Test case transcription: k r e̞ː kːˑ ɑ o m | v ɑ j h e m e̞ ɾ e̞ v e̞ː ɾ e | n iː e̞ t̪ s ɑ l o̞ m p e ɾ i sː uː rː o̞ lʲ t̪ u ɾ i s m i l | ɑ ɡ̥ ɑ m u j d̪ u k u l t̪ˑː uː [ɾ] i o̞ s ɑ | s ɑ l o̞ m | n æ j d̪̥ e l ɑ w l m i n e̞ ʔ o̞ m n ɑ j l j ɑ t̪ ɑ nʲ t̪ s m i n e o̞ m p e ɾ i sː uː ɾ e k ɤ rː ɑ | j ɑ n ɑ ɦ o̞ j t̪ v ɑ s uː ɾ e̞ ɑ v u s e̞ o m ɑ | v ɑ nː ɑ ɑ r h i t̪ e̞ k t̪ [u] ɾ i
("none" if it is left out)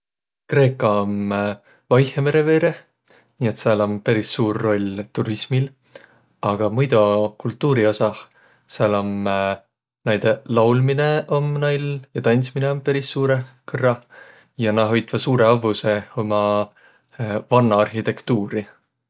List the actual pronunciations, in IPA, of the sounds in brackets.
ɾ, uː

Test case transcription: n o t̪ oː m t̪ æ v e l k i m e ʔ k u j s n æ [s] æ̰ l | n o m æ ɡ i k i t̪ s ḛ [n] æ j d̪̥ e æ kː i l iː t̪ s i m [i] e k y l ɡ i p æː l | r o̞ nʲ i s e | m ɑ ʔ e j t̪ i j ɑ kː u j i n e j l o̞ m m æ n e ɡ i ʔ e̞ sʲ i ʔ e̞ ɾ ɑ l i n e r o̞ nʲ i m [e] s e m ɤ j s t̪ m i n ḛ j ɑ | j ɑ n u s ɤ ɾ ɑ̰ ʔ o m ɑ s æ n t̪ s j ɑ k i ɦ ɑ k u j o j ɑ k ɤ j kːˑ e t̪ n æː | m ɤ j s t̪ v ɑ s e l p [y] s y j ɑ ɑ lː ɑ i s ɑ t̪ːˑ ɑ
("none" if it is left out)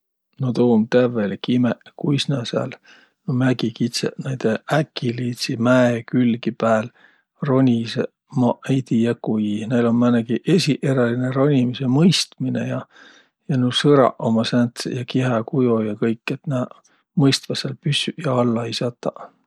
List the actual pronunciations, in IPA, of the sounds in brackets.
s, n, æ, i, y

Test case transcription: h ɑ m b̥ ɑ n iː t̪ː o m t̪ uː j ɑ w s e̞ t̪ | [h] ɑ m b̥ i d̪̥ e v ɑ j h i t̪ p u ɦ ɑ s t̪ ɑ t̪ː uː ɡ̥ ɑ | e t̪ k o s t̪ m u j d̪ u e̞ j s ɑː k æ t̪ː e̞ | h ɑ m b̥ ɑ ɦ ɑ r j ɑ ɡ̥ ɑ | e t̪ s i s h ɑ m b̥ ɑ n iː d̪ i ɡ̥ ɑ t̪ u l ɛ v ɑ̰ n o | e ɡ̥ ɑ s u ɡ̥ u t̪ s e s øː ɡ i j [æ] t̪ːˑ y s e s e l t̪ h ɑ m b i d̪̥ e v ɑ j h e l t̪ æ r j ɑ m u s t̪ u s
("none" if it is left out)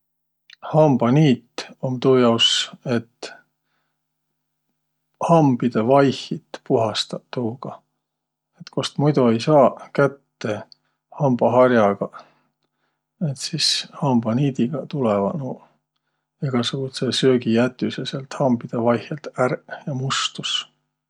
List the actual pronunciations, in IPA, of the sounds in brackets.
h, æ

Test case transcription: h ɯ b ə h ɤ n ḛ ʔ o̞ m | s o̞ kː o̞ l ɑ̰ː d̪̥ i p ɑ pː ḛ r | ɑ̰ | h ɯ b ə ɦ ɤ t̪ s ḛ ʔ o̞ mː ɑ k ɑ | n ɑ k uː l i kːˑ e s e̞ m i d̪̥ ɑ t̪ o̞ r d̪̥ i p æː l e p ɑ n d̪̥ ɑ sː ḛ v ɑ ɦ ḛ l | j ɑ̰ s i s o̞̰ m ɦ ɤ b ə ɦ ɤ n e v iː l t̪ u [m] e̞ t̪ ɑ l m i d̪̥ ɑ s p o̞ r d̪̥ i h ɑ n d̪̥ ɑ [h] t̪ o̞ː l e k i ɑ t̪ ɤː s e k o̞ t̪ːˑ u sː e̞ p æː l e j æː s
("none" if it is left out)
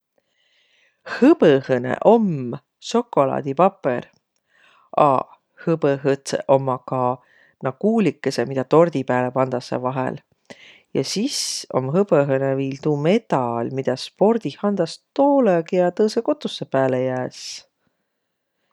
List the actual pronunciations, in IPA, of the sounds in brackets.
m, s

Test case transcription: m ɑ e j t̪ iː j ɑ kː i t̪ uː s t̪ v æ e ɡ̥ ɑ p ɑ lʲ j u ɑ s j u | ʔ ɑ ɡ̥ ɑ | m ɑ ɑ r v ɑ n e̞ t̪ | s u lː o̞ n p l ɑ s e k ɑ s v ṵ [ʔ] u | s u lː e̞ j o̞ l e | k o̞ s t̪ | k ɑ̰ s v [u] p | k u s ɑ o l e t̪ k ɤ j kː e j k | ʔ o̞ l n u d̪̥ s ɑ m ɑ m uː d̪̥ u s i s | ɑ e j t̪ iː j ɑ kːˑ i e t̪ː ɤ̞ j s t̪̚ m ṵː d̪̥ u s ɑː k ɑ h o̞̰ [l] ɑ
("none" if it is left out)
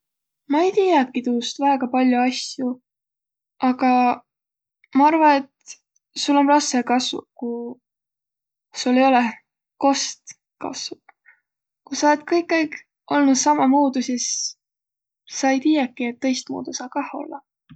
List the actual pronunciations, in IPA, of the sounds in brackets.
k, u, lː

